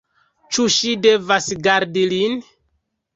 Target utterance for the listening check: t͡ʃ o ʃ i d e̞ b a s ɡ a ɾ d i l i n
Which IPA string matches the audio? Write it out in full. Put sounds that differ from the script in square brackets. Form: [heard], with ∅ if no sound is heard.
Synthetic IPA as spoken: t͡ʃ [u] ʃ i d e̞ [v] a s ɡ a ɾ d i l i n